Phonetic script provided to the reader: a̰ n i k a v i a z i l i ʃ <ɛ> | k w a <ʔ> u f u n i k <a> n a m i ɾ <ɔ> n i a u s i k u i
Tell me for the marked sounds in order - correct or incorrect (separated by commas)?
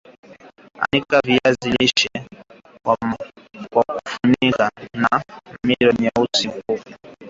correct, incorrect, correct, correct